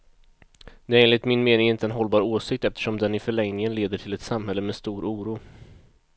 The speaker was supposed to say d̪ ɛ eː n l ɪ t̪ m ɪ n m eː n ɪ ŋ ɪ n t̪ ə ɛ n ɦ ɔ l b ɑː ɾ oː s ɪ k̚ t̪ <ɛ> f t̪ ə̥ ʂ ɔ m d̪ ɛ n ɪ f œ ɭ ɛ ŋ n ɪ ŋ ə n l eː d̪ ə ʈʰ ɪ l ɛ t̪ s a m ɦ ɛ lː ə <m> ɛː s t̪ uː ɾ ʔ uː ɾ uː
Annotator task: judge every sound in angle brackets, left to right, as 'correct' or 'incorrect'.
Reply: correct, correct

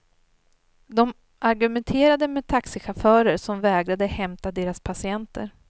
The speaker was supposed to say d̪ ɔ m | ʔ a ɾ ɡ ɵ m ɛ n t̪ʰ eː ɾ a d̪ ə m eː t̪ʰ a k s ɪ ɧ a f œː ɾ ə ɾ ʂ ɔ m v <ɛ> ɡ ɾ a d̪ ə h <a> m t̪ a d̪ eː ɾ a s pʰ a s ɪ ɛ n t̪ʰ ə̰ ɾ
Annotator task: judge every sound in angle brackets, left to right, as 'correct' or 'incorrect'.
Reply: incorrect, incorrect

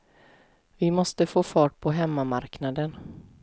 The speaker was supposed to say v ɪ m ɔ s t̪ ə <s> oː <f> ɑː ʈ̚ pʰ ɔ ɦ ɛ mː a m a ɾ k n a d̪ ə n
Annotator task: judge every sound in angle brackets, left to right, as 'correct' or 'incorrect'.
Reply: incorrect, correct

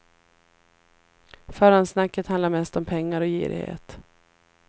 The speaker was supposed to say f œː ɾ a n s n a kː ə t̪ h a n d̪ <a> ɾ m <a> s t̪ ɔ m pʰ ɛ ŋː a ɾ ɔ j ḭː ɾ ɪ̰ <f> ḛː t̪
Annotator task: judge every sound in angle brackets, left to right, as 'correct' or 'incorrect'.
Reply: correct, incorrect, incorrect

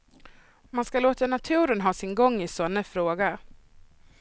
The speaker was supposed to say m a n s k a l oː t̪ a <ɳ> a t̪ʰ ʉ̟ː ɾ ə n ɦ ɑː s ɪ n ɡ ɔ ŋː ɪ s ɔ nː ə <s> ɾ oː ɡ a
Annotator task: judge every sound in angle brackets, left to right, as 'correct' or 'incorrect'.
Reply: incorrect, incorrect

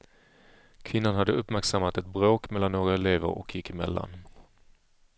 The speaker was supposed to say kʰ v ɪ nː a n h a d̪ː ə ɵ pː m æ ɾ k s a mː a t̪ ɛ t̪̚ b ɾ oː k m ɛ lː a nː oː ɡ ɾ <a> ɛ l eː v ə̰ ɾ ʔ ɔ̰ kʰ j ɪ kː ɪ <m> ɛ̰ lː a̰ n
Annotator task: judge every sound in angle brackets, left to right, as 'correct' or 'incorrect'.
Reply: correct, correct

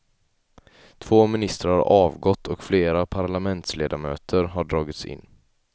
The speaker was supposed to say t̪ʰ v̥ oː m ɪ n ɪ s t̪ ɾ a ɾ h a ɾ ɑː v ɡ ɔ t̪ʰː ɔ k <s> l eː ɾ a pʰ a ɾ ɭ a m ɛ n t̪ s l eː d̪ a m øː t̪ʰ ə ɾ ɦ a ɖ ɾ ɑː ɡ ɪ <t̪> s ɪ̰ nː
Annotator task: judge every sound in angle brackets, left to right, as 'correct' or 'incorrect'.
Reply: incorrect, correct

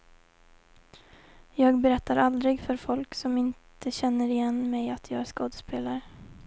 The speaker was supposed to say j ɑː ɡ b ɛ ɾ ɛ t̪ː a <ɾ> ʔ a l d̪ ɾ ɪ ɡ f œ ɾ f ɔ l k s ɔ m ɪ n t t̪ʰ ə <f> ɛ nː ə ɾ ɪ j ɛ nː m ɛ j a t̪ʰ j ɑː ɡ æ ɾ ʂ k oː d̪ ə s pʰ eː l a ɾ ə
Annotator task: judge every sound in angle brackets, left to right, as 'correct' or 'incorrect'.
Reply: correct, incorrect

